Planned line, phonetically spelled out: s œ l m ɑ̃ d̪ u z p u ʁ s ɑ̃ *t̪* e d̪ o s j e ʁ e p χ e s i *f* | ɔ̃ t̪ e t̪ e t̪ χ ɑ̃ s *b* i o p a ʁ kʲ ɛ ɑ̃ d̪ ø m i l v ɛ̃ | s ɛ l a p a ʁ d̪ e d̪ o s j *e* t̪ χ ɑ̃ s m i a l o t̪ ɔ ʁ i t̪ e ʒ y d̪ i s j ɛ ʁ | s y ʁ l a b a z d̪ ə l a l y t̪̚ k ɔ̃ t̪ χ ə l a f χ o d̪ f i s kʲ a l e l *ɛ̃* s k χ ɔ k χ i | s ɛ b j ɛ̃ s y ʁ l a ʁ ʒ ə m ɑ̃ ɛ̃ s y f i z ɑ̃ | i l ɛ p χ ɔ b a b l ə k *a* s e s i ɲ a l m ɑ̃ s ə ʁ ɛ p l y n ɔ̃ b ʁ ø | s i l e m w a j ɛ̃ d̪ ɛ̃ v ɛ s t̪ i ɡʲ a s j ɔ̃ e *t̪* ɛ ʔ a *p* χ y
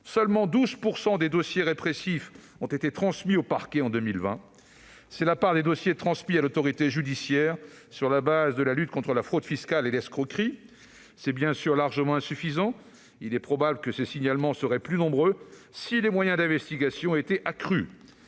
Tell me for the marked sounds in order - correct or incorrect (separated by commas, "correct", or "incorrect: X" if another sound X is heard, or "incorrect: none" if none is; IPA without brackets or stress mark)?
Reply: incorrect: d̪, correct, incorrect: m, correct, incorrect: ɛ, incorrect: ə, correct, incorrect: k